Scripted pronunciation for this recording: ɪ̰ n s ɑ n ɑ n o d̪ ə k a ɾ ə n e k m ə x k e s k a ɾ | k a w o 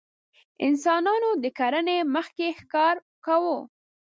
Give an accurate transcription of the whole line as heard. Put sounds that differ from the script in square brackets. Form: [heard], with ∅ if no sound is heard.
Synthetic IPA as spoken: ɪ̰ n s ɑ n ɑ n o d̪ ə k a ɾ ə n e [∅] m ə x k e [x] k [ɑ] ɾ | k a w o